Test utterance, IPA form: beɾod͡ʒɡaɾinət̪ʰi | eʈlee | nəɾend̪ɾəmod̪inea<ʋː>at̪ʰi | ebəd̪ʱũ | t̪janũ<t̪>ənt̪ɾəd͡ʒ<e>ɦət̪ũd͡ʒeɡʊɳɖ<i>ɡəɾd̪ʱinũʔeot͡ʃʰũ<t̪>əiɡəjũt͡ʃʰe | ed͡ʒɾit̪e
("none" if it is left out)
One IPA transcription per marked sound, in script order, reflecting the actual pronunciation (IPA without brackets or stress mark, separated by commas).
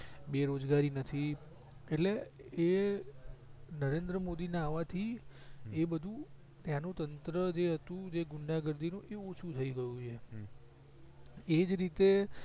ʋ, t̪, e, a, t̪ʰ